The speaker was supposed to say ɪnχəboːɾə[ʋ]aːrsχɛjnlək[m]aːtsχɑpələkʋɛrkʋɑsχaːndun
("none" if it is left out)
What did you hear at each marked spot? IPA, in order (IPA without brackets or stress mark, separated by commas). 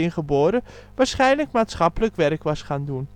ʋ, m